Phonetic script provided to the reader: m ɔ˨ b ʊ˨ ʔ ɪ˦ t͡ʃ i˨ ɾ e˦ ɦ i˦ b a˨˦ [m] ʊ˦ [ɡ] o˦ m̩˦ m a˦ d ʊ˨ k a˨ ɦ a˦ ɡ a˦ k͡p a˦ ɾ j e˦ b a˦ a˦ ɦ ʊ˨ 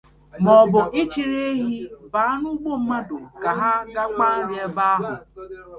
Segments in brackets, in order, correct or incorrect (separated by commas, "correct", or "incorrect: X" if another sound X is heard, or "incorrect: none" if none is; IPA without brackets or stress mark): incorrect: n, incorrect: ɡ͡b